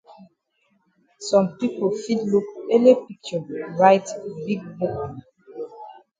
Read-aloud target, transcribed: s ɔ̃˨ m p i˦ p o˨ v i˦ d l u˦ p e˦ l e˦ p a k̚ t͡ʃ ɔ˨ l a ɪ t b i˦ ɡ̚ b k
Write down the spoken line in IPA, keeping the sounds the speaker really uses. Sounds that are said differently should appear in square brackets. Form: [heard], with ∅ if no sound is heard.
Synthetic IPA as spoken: s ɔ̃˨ m p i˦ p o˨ [f] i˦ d l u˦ [k] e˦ l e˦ p [i] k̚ t͡ʃ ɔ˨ [ɹ] a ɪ t b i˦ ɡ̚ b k